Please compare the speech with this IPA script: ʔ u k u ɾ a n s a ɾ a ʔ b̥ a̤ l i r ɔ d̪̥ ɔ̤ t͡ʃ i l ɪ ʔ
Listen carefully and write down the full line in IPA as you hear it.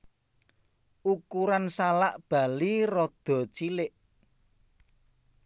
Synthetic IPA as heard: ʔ u k u ɾ a n s a l a ʔ b̥ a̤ l i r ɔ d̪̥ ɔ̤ t͡ʃ i l ɪ ʔ